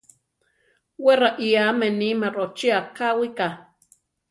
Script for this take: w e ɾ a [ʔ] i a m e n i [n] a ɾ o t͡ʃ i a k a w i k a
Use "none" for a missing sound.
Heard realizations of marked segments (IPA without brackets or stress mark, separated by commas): ʔ, m